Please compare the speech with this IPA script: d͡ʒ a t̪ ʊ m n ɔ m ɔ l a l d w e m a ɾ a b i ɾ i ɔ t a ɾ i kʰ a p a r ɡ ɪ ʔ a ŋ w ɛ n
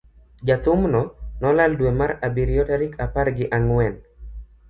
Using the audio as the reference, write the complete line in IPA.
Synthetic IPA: d͡ʒ a t̪ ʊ m n ɔ n ɔ l a l d w e m a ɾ a b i ɾ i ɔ t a ɾ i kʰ a p a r ɡ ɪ ʔ a ŋ w ɛ n